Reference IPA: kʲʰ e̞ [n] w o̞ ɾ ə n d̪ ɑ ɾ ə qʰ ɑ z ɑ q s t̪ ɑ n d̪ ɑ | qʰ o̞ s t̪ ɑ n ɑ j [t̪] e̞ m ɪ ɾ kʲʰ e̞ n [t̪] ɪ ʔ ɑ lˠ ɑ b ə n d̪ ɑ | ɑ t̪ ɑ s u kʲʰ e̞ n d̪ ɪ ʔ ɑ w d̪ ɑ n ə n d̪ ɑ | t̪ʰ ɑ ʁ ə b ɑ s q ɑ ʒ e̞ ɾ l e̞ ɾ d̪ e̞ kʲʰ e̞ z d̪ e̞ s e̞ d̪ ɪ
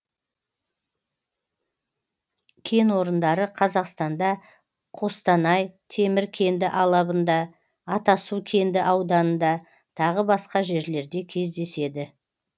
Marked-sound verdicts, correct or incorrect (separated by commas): correct, incorrect, incorrect